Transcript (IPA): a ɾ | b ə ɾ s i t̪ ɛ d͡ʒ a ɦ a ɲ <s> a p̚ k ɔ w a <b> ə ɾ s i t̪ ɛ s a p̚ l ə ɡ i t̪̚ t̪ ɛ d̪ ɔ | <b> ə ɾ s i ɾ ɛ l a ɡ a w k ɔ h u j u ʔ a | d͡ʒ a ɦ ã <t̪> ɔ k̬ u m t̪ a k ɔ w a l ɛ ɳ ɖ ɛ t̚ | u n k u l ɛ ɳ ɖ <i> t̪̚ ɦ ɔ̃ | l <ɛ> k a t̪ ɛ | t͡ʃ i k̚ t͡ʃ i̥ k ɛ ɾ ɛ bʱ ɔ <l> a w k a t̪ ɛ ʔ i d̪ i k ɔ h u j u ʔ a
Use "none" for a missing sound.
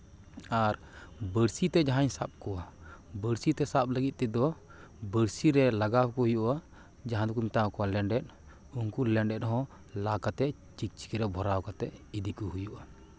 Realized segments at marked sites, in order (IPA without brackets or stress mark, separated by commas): s, b, b, d̪, ɛ, a, ɾ